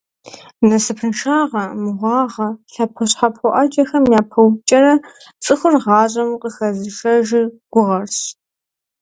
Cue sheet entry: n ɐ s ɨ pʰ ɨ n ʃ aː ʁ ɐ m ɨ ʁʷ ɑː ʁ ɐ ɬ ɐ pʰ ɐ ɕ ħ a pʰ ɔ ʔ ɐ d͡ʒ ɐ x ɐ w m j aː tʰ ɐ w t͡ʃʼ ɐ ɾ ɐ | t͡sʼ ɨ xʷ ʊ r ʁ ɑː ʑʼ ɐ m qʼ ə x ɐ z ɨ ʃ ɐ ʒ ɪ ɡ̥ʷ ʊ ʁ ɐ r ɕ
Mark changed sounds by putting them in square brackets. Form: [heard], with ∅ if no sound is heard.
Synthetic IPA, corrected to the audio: n ɐ s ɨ pʰ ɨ n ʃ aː ʁ ɐ m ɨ ʁʷ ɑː ʁ ɐ ɬ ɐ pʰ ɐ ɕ ħ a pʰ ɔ ʔ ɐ d͡ʒ ɐ x ɐ [∅] m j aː [pʰ] ɐ w t͡ʃʼ ɐ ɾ ɐ | t͡sʼ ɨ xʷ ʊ r ʁ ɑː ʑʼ ɐ m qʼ ə x ɐ z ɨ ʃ ɐ ʒ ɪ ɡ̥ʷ ʊ ʁ ɐ r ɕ

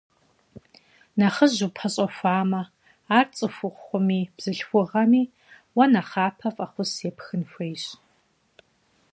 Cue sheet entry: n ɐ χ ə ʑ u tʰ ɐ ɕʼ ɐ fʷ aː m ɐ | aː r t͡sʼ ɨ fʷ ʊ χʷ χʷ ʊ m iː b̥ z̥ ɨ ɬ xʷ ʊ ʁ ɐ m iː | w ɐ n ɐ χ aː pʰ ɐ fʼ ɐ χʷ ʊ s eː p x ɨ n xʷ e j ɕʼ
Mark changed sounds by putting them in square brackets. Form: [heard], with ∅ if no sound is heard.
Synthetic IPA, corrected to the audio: n ɐ χ ə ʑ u [pʰ] ɐ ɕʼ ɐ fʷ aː m ɐ | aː r t͡sʼ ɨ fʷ ʊ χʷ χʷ ʊ m iː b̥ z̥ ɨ ɬ xʷ ʊ ʁ ɐ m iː | w ɐ n ɐ χ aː pʰ ɐ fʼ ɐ χʷ ʊ s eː p x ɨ n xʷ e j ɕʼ

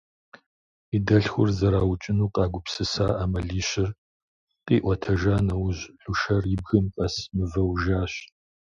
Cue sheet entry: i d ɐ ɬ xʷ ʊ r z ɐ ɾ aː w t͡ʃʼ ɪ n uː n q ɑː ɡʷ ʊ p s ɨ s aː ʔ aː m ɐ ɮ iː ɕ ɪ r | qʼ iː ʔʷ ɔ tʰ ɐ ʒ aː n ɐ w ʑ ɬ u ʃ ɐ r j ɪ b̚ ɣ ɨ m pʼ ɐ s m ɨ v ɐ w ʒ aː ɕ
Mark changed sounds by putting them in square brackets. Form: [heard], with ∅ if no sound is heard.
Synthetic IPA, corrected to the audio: i d ɐ ɬ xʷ ʊ r z ɐ ɾ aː w t͡ʃʼ ɪ n uː [∅] q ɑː ɡʷ ʊ p s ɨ s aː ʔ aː m ɐ ɮ iː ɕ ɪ r | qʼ iː ʔʷ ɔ tʰ ɐ ʒ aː n ɐ w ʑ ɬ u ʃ ɐ r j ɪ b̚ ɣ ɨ m pʼ ɐ s m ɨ v ɐ w ʒ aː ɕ

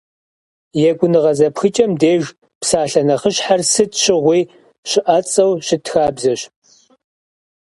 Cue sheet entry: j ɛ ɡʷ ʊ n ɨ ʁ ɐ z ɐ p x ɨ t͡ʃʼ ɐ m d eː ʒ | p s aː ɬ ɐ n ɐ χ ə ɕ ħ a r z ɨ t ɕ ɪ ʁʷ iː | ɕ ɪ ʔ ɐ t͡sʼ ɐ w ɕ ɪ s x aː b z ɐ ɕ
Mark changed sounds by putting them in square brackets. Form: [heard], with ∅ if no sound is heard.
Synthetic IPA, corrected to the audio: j ɛ ɡʷ ʊ n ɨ ʁ ɐ z ɐ p x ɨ t͡ʃʼ ɐ m d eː ʒ | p s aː ɬ ɐ n ɐ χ ə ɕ ħ a r [s] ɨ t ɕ ɪ ʁʷ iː | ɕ ɪ ʔ ɐ t͡sʼ ɐ w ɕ ɪ [t] x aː b z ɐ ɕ

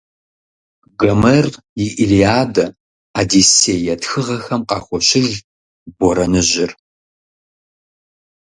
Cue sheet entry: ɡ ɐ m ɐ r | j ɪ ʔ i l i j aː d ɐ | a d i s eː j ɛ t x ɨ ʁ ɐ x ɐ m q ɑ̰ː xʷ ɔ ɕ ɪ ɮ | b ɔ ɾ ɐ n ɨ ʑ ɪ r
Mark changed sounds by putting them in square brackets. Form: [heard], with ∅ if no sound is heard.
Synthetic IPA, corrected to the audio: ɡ ɐ m ɐ r | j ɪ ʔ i l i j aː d ɐ | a d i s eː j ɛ t x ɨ ʁ ɐ x ɐ m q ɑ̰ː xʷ ɔ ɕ ɪ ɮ | b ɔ ɾ ɐ n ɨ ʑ ɪ r

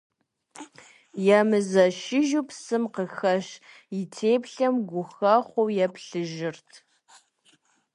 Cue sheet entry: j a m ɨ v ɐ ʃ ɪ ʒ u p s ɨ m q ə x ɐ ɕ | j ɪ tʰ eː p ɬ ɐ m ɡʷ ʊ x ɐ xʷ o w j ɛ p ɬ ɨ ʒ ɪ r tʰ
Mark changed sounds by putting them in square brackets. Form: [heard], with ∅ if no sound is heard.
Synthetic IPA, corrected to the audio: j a m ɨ [z] ɐ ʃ ɪ ʒ u p s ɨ m q ə x ɐ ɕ | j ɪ tʰ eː p ɬ ɐ m ɡʷ ʊ x ɐ [χʷ] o w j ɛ p ɬ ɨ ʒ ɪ r tʰ

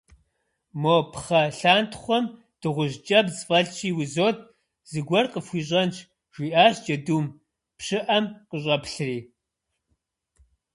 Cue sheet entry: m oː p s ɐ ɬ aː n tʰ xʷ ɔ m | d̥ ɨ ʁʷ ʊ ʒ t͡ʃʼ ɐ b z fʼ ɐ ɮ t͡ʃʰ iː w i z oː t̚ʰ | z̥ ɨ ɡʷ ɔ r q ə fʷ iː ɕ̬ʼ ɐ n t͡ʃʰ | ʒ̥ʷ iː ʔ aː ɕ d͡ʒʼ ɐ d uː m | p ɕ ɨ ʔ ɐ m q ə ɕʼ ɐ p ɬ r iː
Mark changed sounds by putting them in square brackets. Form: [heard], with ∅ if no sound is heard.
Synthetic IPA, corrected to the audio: m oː p [χ] ɐ ɬ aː n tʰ [χʷ] ɔ m | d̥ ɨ ʁʷ ʊ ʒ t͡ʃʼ ɐ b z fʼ ɐ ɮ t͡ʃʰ iː w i z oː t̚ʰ | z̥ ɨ ɡʷ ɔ r q ə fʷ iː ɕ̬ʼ ɐ n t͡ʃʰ | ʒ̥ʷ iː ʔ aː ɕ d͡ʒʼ ɐ d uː m | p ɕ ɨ ʔ ɐ m q ə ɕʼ ɐ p ɬ r iː

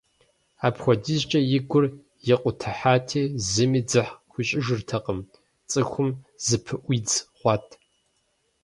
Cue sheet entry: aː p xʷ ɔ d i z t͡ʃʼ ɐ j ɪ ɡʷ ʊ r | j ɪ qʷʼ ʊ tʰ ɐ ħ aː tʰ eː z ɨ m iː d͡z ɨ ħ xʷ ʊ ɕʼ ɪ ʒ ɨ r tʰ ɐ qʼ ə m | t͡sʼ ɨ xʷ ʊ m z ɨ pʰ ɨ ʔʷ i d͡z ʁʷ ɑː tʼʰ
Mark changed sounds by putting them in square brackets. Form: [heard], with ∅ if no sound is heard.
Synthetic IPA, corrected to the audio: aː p xʷ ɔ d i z t͡ʃʼ ɐ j ɪ ɡʷ ʊ r | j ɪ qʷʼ ʊ tʰ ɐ ħ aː tʰ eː z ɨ m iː d͡z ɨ ħ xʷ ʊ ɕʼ ɪ ʒ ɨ r tʰ ɐ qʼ ə m | t͡sʼ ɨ xʷ ʊ m z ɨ pʰ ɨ ʔʷ i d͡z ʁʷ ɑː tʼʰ

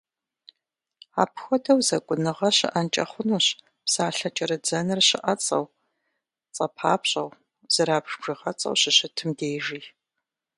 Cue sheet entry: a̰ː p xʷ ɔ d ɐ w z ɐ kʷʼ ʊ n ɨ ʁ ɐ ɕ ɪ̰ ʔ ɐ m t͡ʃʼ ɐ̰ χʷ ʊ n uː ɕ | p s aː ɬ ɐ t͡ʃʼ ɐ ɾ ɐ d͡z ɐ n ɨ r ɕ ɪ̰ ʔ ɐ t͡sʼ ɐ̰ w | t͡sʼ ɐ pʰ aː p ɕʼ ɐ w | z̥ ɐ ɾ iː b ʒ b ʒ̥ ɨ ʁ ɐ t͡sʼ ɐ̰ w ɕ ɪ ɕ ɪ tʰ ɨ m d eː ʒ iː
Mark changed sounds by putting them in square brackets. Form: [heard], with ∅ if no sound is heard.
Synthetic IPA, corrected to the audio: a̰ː p xʷ ɔ d ɐ w z ɐ kʷʼ ʊ n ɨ ʁ ɐ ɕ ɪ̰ ʔ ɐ [n] t͡ʃʼ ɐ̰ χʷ ʊ n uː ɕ | p s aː ɬ ɐ t͡ʃʼ ɐ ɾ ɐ d͡z ɐ n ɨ r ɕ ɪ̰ ʔ ɐ t͡sʼ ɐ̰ w | t͡sʼ ɐ pʰ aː p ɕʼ ɐ w | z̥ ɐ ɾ [aː] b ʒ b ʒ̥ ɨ ʁ ɐ t͡sʼ ɐ̰ w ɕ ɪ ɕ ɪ tʰ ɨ m d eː ʒ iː

